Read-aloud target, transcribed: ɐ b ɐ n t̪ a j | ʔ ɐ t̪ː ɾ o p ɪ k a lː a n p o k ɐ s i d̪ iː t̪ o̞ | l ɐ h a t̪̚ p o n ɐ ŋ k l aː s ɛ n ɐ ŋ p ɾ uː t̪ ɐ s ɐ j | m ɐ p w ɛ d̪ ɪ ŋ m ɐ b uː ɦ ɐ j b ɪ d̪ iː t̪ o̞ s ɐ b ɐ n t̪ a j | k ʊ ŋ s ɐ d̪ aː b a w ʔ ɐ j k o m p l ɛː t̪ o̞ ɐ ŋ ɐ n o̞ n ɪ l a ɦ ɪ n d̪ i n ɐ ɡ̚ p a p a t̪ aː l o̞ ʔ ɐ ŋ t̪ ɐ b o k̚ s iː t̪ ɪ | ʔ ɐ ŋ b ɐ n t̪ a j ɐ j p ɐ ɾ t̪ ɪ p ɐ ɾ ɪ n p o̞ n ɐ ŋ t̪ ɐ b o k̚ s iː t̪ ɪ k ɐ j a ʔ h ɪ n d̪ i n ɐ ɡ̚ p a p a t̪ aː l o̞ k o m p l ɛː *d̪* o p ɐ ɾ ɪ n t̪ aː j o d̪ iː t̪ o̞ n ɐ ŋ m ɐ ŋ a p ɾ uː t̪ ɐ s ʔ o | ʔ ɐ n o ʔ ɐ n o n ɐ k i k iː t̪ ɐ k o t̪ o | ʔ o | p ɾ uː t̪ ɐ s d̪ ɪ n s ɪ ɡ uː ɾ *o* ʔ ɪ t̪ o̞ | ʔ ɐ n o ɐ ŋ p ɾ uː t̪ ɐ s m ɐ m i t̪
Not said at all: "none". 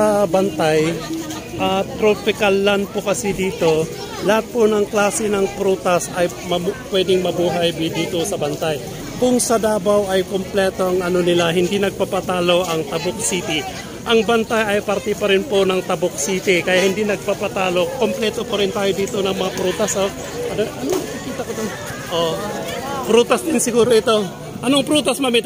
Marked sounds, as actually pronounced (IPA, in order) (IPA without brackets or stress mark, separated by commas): t̪, o